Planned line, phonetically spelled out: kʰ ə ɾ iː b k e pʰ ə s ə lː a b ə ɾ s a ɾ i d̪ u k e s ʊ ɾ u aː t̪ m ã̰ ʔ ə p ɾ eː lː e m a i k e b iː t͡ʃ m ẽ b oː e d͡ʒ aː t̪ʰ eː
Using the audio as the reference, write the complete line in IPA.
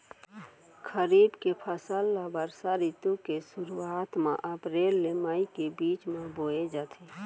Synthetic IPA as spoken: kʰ ə ɾ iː b k e pʰ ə s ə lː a b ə ɾ s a ɾ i t̪ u k e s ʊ ɾ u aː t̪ m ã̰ ʔ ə p ɾ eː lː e m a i k e b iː t͡ʃ m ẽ b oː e d͡ʒ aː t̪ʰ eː